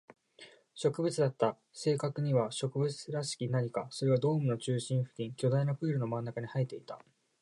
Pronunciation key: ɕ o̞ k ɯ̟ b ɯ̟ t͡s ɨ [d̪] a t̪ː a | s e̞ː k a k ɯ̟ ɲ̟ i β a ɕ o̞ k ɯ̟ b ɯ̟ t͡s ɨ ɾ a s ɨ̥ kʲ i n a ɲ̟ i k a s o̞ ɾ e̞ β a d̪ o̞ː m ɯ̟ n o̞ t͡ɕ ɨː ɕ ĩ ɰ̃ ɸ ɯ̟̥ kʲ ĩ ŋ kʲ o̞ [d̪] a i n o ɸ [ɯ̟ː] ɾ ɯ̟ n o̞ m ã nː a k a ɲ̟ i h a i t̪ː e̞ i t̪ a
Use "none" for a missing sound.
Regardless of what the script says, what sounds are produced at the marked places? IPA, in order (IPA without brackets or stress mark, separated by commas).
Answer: d̪, d̪, ɯ̟ː